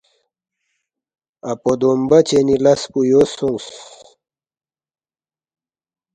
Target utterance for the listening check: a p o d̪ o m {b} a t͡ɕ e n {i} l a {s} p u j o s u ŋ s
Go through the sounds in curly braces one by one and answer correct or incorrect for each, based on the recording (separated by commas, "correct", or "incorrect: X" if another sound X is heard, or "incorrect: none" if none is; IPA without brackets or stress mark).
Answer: correct, correct, correct